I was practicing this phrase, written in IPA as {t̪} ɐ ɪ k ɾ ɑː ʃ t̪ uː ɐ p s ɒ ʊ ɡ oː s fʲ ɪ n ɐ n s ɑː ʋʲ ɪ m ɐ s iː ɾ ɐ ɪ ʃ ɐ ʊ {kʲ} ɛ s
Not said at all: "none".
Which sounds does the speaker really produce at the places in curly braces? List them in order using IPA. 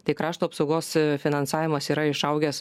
t̪, ɡʲ

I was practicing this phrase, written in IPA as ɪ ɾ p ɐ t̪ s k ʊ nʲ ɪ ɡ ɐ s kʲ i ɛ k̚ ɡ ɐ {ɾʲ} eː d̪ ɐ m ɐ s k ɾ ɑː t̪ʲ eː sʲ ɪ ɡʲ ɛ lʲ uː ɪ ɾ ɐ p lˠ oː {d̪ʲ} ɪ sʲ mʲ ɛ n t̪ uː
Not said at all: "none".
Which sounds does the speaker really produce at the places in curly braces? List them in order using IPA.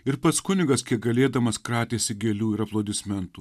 lʲ, d̪ʲ

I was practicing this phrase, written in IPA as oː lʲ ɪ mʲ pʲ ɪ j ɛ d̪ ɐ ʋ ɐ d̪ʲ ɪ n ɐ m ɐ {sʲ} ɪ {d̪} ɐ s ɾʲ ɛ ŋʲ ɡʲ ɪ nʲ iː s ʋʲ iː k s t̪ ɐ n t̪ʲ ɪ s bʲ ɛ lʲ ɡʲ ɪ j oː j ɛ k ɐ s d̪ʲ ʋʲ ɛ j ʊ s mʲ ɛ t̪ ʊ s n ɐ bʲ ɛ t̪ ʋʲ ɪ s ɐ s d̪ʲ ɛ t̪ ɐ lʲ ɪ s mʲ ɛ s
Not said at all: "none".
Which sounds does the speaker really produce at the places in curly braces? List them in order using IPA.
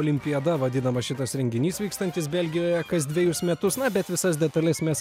ʃʲ, t̪

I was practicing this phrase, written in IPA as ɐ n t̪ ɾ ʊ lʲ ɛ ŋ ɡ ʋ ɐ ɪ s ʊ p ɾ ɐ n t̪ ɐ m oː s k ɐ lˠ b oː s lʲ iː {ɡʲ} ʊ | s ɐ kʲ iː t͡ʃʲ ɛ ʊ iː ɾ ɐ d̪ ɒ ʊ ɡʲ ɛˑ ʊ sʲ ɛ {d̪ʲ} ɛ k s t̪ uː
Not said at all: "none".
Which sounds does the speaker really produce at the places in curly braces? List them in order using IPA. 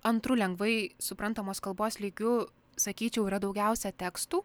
ɡʲ, t̪ʲ

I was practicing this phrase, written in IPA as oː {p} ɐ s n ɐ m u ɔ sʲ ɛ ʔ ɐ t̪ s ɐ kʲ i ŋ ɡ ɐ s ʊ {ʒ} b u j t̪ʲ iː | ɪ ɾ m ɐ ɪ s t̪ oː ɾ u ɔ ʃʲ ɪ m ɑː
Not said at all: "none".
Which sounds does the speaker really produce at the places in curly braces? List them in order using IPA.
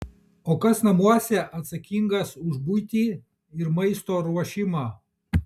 k, ʒ

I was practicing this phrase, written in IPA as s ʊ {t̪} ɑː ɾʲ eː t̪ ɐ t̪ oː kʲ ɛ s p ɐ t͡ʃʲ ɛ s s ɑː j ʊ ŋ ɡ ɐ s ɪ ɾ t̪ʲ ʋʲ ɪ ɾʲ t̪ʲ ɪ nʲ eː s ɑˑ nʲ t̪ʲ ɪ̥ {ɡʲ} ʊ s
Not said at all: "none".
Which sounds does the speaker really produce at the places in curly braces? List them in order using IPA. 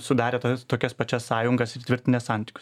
d̪, kʲ

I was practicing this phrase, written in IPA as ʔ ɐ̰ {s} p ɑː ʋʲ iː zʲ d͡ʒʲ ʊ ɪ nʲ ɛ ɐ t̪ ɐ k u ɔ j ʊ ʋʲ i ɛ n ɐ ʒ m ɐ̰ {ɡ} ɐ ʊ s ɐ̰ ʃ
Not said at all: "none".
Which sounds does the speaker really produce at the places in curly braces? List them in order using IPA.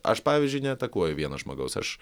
ʃ, ɡ

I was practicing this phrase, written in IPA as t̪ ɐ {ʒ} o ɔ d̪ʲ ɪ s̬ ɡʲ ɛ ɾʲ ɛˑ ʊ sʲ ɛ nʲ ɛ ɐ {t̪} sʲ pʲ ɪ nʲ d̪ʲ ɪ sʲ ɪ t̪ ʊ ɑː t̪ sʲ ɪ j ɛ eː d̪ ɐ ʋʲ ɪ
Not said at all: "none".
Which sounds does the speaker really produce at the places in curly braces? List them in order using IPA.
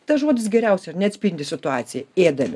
ʒ, t̪

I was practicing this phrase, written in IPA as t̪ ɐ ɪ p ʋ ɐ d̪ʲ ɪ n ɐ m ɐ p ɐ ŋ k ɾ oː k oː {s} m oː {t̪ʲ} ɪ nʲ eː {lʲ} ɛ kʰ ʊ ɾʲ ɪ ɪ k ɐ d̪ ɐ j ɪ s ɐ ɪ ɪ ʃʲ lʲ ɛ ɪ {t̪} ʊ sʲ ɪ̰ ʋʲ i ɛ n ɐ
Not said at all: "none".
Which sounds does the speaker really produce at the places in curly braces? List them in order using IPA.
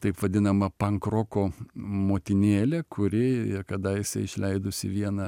none, t̪ʲ, lʲ, d̪

